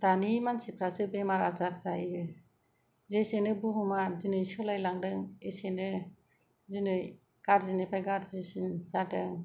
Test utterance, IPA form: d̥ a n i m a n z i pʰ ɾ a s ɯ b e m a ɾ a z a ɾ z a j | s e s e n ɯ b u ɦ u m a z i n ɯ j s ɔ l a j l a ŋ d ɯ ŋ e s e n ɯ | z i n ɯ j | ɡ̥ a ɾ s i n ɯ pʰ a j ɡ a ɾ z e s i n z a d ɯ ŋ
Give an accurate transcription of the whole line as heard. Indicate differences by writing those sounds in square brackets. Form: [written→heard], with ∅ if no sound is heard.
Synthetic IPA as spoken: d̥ a n i m a n [z→s] i pʰ ɾ a s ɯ b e m a ɾ a z a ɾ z a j | [s→z] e s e n ɯ b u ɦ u m a z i n ɯ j s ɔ l a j l a ŋ d ɯ ŋ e s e n ɯ | z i n ɯ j | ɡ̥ a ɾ [s→z] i n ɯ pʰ a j ɡ a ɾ z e s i n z a d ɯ ŋ